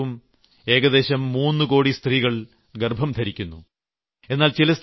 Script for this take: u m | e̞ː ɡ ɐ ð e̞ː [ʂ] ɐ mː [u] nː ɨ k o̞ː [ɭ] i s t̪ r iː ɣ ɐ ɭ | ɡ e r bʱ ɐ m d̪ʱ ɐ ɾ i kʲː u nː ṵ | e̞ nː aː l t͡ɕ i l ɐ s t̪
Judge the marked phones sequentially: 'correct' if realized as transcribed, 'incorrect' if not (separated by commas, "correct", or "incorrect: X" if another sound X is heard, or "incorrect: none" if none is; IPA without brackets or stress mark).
incorrect: ɕ, incorrect: uː, incorrect: ɽ